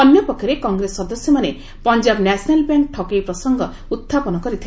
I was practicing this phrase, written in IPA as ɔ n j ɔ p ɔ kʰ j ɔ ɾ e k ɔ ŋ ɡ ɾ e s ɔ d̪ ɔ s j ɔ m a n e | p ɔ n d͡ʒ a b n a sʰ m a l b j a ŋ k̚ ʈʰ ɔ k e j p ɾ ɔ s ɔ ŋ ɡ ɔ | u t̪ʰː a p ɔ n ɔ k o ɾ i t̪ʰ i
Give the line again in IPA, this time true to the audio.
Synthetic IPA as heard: ɔ n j ɔ p ɔ kʰ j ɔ ɾ e k ɔ ŋ ɡ ɾ e s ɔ d̪ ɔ s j ɔ m a n e | p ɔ n d͡ʒ a b n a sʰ n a l b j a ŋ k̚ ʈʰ ɔ k e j p ɾ ɔ s ɔ ŋ ɡ ɔ | u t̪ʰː a p ɔ n ɔ k ɔ ɾ i t̪ʰ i